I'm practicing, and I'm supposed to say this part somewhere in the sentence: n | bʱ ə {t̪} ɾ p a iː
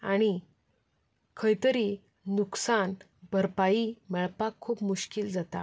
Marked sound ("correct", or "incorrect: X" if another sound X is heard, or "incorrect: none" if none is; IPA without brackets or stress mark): incorrect: none